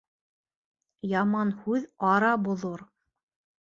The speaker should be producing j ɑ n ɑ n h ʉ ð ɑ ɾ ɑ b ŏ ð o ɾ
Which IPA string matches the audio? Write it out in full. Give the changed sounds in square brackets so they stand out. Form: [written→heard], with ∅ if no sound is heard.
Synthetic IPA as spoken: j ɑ [n→m] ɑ n h ʉ ð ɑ ɾ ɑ b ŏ ð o ɾ